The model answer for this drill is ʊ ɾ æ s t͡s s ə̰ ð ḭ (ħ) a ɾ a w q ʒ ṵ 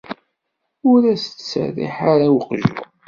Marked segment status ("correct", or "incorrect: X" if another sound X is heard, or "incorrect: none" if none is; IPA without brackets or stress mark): correct